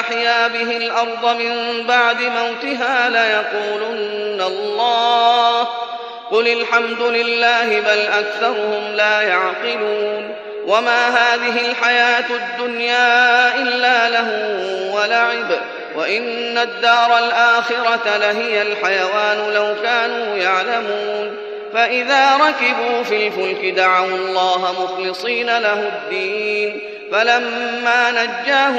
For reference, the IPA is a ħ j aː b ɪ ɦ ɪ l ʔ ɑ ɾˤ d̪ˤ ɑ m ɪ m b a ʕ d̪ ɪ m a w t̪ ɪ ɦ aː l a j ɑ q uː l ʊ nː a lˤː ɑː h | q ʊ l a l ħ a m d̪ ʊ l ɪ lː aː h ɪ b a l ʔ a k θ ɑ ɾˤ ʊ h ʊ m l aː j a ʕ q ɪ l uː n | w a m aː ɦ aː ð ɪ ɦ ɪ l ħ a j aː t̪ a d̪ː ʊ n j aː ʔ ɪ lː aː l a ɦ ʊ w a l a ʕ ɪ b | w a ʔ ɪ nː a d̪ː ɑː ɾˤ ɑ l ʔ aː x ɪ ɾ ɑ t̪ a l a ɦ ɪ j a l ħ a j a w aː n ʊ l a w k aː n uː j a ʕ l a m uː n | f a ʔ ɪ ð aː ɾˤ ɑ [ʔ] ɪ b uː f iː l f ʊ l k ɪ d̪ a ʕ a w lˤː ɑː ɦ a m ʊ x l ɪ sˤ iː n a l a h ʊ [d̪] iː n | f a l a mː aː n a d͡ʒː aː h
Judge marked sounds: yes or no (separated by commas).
no, no